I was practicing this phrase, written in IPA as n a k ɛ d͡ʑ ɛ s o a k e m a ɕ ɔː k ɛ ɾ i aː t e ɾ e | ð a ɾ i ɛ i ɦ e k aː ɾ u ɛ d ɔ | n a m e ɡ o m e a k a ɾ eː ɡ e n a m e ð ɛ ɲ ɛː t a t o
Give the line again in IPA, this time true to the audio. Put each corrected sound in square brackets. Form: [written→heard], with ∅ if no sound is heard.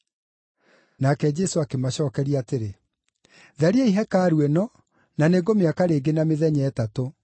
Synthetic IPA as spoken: n a k ɛ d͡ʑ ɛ s o a k e m a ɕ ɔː k ɛ ɾ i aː t e ɾ e | ð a ɾ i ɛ i ɦ [e→ɛ] k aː ɾ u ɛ [d→n] ɔ | n a [m→n] e ɡ o m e a k a ɾ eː ɡ e n a m e ð ɛ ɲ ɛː t a t o